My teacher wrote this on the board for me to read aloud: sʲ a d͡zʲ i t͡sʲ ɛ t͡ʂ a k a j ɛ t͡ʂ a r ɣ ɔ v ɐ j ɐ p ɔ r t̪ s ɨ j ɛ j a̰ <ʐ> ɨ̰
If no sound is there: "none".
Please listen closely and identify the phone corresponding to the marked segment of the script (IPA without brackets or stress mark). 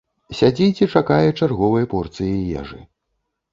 ʐ